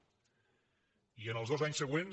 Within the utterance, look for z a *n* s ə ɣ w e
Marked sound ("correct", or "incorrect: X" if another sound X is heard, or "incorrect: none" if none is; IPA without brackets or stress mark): incorrect: ɲ